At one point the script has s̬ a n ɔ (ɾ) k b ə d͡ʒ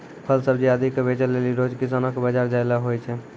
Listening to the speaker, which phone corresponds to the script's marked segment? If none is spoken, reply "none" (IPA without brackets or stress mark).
none